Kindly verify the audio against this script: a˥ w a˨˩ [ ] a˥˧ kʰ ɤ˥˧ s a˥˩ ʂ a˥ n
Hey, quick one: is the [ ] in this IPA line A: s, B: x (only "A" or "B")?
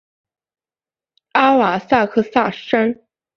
A